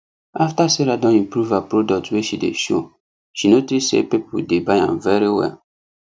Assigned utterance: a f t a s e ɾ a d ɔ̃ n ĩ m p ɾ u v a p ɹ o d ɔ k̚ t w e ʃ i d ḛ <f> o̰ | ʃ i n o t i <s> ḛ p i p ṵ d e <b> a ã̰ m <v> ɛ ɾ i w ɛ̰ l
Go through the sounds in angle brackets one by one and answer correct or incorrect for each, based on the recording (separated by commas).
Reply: incorrect, correct, correct, correct